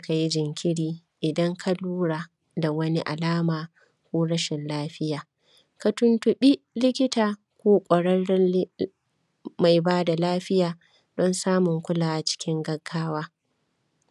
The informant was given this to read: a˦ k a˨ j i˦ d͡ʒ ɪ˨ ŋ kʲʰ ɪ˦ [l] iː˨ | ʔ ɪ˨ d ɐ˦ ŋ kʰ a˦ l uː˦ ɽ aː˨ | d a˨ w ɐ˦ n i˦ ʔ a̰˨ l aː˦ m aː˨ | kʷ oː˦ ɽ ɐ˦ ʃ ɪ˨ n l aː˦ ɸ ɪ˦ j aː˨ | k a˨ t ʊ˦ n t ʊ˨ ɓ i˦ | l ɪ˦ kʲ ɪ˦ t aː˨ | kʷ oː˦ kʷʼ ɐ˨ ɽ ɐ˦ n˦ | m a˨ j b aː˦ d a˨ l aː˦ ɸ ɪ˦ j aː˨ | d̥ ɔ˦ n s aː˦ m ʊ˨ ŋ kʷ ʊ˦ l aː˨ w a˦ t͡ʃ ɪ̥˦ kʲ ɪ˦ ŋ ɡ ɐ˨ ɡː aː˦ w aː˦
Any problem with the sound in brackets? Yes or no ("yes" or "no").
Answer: yes